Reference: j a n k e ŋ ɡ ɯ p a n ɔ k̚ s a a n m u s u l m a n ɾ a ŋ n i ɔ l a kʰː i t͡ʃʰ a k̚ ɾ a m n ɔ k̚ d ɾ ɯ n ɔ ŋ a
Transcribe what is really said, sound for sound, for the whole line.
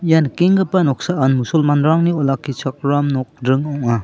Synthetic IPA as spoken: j a n k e ŋ ɡ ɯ p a n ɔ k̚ s a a n m u s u l m a n ɾ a ŋ n i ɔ l a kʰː i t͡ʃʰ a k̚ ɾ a m n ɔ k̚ d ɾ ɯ ŋ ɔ ŋ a